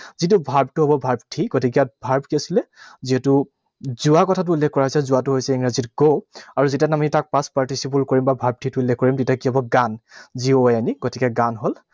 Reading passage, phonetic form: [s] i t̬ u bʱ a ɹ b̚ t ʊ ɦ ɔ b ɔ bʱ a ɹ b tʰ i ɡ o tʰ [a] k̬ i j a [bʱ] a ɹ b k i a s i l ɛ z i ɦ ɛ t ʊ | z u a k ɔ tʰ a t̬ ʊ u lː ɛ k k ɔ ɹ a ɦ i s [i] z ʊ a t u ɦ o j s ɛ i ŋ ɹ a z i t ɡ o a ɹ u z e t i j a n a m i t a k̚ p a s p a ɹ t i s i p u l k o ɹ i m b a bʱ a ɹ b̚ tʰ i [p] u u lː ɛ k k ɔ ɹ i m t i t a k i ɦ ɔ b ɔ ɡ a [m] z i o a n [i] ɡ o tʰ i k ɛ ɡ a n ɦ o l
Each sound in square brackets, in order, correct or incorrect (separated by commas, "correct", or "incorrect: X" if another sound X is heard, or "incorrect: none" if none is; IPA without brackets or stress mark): incorrect: z, incorrect: i, correct, incorrect: ɛ, incorrect: t, incorrect: n, correct